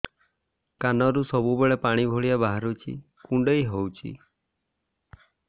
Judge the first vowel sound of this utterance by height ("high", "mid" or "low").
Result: low